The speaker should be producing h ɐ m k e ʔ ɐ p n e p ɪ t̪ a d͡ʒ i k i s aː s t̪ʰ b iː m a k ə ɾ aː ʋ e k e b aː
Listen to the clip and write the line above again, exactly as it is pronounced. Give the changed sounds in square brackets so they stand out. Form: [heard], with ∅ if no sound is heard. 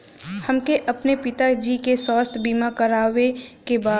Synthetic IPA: h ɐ m k e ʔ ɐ p n e p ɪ t̪ a d͡ʒ i k [e] s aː s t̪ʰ b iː m a k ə ɾ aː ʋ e k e b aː